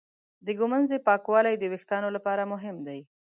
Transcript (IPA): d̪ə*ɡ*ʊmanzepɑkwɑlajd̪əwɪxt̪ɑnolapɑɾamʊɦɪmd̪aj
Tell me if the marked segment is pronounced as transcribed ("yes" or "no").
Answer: yes